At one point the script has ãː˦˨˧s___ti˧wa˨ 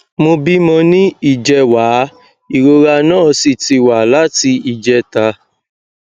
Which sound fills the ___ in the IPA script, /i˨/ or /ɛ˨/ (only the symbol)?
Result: i˨